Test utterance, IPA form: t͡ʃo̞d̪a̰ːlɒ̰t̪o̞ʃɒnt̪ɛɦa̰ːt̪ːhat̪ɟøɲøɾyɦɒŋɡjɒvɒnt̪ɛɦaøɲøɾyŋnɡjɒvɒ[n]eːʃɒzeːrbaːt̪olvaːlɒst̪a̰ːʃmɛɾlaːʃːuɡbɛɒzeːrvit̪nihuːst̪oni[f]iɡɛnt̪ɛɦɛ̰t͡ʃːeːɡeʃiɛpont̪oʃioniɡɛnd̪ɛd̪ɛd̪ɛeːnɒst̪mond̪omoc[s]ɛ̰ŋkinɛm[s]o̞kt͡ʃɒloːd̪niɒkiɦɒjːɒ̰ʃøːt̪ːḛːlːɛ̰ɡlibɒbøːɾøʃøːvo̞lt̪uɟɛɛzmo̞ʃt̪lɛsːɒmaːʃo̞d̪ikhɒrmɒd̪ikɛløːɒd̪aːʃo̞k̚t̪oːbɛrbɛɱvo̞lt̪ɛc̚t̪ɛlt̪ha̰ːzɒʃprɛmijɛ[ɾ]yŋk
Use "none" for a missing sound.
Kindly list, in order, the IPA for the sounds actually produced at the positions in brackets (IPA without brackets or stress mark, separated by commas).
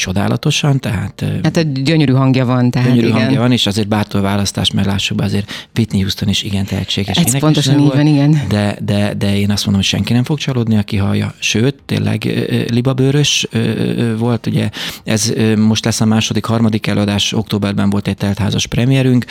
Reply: n, ʃ, ʃ, f, ɾ